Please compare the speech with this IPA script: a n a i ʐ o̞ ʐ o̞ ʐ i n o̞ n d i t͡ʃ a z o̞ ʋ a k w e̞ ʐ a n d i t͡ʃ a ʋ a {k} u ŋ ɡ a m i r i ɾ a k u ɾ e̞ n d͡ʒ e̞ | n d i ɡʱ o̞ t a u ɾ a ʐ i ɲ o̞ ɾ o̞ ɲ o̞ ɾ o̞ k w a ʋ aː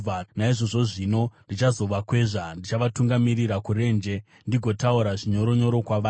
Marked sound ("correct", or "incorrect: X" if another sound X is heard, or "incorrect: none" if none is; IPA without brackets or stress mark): incorrect: t